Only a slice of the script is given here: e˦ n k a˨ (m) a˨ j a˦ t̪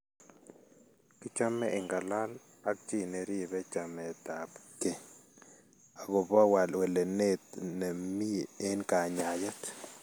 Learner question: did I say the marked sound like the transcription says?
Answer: no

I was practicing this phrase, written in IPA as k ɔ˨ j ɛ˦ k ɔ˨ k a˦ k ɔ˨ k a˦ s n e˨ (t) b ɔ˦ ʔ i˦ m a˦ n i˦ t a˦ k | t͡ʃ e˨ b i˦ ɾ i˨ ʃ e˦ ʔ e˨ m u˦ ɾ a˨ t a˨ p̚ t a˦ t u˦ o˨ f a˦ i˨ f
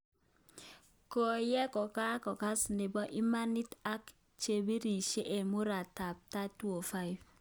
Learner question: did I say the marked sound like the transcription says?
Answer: no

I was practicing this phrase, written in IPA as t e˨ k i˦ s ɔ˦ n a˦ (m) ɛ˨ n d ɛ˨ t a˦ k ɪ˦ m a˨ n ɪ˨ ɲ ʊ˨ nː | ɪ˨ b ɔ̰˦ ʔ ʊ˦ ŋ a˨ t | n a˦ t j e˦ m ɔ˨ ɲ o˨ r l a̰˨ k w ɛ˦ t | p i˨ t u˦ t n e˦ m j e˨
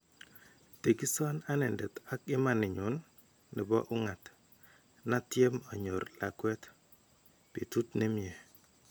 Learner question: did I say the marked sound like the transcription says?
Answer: no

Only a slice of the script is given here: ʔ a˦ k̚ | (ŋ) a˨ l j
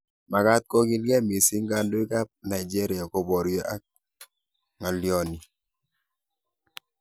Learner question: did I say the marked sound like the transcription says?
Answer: yes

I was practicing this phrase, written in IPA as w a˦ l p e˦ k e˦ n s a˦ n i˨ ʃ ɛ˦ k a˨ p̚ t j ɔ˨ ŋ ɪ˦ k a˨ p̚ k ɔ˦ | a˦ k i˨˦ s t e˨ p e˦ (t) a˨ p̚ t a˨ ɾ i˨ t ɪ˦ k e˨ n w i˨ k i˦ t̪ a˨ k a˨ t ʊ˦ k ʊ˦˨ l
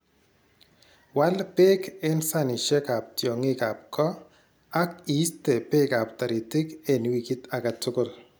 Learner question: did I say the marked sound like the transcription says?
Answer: no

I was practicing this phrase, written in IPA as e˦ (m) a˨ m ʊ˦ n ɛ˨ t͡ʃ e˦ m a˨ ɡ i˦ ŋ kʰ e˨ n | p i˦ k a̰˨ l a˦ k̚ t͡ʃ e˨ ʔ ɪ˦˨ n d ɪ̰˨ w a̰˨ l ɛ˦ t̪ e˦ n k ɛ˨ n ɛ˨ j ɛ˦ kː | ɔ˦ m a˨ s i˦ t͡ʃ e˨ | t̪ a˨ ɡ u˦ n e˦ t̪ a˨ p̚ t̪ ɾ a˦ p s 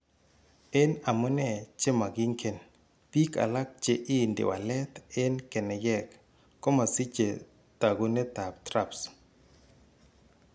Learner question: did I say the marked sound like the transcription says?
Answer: no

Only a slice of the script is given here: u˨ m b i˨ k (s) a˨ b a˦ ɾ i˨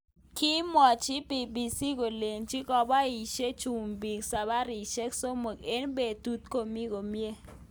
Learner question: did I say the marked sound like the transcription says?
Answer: yes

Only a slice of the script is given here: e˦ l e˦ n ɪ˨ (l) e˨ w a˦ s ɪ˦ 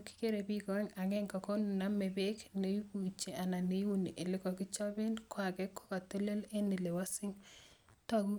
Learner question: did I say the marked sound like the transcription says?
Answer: yes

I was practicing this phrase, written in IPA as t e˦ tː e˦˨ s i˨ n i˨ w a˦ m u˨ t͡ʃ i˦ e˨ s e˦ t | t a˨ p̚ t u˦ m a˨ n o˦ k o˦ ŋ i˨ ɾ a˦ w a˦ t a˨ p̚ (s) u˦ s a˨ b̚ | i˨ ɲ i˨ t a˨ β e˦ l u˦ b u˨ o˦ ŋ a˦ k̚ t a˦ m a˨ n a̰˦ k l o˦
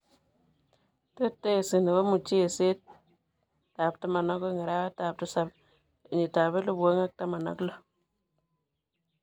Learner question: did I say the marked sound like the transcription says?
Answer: no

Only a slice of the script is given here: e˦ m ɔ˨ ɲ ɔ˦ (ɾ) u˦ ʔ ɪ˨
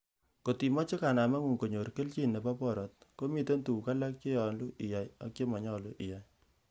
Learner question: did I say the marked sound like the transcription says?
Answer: no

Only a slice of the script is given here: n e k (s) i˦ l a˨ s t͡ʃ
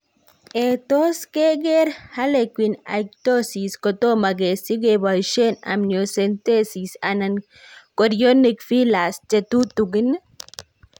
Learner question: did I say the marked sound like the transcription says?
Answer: no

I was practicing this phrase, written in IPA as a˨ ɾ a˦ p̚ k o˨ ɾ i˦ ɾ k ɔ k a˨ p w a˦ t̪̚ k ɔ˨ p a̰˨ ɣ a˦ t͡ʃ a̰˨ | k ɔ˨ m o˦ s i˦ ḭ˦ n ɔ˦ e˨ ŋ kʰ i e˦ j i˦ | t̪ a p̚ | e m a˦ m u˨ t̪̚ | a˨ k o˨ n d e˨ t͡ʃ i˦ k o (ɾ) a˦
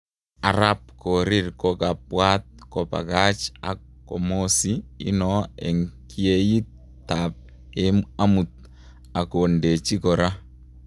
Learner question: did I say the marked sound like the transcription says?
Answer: yes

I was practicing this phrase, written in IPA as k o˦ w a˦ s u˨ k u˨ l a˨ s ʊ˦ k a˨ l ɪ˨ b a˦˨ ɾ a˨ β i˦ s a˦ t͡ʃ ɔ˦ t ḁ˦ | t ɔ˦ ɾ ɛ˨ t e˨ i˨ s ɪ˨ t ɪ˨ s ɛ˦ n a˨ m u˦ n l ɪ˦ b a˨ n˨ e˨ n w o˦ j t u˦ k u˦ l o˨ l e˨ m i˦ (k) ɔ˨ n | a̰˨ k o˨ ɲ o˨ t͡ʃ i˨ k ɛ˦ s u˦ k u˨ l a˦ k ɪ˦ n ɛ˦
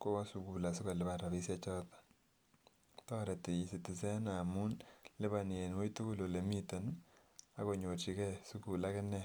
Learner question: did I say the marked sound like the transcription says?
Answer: no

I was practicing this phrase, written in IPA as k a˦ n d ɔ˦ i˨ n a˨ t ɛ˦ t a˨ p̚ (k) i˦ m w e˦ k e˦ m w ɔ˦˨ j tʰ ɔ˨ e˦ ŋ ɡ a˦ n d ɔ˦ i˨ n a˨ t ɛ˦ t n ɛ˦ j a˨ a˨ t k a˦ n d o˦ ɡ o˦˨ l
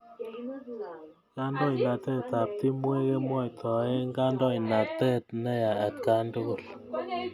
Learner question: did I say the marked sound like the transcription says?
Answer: no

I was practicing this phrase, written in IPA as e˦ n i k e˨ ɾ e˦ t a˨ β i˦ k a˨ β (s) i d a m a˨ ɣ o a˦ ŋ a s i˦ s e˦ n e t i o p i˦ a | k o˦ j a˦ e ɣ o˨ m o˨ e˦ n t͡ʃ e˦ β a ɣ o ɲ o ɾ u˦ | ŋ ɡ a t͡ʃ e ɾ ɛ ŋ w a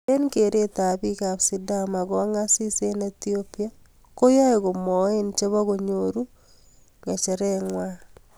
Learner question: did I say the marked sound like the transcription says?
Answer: yes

